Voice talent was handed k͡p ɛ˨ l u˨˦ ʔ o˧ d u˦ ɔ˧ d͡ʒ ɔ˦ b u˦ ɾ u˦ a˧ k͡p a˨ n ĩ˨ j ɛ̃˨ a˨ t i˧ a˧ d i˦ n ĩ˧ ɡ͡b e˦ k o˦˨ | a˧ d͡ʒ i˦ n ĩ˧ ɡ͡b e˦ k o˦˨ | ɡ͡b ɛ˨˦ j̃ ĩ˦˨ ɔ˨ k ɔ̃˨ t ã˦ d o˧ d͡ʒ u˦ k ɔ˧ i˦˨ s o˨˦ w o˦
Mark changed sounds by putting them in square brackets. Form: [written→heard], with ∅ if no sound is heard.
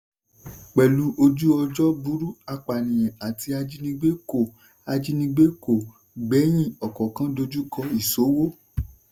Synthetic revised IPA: k͡p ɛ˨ l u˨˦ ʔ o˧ [d→d͡ʒ] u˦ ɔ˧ d͡ʒ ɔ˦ b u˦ ɾ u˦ a˧ k͡p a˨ n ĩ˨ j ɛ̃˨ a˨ t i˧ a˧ [d→d͡ʒ] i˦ n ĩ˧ ɡ͡b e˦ k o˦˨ | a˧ d͡ʒ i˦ n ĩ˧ ɡ͡b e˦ k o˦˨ | ɡ͡b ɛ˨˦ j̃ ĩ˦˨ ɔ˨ k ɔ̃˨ [t→k] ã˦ d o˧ d͡ʒ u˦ k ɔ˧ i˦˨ s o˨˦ w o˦